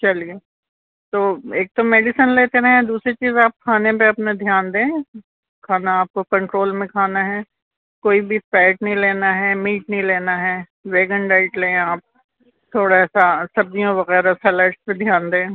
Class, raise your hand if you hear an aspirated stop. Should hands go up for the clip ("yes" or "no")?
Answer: yes